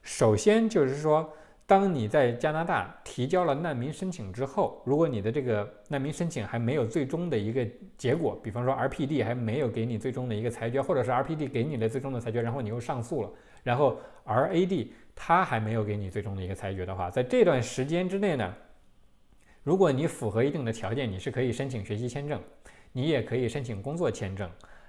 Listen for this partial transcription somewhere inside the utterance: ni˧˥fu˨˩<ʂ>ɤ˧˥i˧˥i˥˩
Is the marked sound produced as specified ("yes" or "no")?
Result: no